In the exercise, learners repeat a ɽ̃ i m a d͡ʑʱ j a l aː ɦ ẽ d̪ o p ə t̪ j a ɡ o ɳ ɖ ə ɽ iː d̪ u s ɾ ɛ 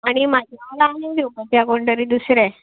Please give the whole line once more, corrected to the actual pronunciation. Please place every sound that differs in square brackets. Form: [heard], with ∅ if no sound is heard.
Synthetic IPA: a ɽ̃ i m a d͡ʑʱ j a l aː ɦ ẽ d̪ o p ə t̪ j a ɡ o ɳ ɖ ə [ɾ] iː d̪ u s ɾ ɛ